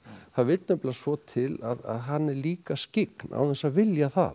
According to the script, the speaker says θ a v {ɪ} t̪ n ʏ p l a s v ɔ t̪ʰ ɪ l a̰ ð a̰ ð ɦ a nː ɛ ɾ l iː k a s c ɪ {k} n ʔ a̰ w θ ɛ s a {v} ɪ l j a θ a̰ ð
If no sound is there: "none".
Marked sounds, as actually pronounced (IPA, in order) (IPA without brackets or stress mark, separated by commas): ɪ, k, v